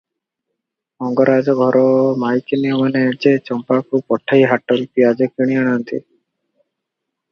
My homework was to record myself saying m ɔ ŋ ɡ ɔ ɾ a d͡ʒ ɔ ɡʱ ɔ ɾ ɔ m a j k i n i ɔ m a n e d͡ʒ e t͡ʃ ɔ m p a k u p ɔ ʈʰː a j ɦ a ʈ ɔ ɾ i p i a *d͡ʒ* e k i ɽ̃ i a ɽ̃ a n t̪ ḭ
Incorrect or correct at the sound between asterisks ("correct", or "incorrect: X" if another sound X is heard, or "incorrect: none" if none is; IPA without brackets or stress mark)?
correct